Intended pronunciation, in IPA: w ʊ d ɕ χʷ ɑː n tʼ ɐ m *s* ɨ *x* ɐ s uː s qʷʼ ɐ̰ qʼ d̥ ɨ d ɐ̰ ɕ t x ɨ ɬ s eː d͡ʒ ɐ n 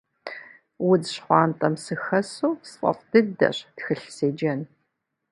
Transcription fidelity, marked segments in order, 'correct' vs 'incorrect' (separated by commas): correct, correct